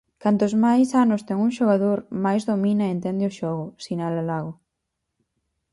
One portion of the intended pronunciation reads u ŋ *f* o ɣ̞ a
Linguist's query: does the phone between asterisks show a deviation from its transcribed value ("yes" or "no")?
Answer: yes